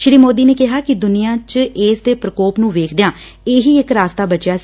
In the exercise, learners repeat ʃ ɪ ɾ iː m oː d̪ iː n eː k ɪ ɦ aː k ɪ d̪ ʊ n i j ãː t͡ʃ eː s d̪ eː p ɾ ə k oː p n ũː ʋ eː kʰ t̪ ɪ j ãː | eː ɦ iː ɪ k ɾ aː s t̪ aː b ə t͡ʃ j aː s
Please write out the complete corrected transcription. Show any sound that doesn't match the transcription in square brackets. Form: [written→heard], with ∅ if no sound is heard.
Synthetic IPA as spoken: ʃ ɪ ɾ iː m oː d̪ iː n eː k ɪ ɦ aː k ɪ d̪ ʊ n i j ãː t͡ʃ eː s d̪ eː p ɾ ə k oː p n ũː ʋ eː kʰ [t̪→d̪] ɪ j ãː | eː ɦ iː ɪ k ɾ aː s t̪ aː b ə t͡ʃ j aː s